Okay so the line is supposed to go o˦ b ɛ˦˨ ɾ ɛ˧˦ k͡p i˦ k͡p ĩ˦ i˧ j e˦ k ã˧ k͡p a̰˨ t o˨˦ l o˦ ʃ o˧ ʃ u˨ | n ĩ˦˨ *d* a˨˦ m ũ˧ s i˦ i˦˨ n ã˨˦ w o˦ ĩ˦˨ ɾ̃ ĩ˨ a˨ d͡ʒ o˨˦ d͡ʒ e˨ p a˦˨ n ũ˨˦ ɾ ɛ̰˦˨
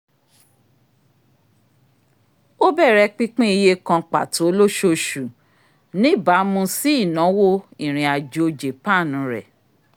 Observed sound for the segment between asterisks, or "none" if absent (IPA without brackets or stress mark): b